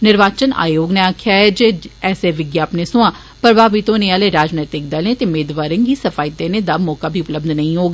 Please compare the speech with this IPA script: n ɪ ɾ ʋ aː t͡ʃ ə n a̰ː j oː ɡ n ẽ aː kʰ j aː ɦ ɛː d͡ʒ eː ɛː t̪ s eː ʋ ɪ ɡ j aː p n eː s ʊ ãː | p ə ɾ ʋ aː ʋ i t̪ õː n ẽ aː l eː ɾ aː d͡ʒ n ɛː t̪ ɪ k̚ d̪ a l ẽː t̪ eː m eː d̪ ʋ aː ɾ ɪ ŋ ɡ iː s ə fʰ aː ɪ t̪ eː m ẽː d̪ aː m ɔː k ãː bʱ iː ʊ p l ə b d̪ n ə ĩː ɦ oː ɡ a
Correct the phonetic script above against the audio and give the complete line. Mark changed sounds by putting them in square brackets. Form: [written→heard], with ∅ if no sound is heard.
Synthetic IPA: n ɪ ɾ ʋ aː t͡ʃ ə n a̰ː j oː ɡ n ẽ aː kʰ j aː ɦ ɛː d͡ʒ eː ɛː [t̪→∅] s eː ʋ ɪ ɡ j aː p n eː s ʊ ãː | p ə ɾ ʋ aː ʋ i t̪ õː n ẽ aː l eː ɾ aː d͡ʒ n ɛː t̪ ɪ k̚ d̪ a l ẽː t̪ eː m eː d̪ ʋ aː ɾ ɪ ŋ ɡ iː s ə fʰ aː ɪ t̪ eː [m→n] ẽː d̪ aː m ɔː k [ãː→aː] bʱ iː ʊ p l ə b d̪ n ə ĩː ɦ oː ɡ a